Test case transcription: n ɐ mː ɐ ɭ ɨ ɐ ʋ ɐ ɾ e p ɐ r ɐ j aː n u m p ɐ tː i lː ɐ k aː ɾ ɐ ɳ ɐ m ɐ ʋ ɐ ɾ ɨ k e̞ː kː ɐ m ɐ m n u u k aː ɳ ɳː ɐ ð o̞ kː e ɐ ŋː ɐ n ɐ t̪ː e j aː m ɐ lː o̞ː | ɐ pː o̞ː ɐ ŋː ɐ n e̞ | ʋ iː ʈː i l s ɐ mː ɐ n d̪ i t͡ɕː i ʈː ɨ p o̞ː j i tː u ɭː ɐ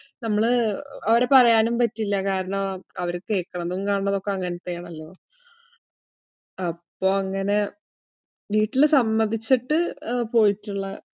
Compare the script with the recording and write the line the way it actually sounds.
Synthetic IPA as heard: n ɐ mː ɐ ɭ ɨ ɐ ʋ ɐ ɾ e p ɐ r ɐ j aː n u m p ɐ tː i lː ɐ k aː ɾ ɐ ɳ ɐ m ɐ ʋ ɐ ɾ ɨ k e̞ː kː ɐ ɳ ɐ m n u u k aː ɳ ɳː ɐ ð o̞ kː e ɐ ŋː ɐ n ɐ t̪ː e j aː ɳ ɐ lː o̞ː | ɐ pː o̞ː ɐ ŋː ɐ n e̞ | ʋ iː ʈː i l s ɐ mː ɐ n d̪ i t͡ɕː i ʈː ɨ p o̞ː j i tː u ɭː ɐ